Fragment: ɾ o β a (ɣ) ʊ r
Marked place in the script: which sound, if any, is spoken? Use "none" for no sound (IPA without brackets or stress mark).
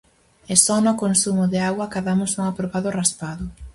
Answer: ð